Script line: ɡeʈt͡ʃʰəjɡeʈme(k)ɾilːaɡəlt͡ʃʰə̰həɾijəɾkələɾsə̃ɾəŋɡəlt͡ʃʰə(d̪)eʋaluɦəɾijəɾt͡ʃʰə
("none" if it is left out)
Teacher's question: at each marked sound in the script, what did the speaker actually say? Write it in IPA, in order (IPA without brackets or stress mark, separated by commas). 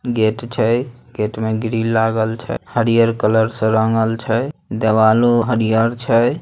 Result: ɡ, d̪